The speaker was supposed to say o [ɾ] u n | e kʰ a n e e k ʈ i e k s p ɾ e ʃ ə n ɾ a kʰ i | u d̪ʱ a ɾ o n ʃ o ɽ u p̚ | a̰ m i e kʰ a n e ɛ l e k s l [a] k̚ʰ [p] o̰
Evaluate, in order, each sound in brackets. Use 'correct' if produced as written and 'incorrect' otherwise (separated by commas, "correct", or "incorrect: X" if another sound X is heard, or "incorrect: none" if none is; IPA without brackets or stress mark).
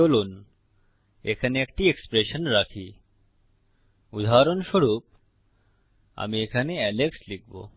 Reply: incorrect: l, incorrect: i, incorrect: b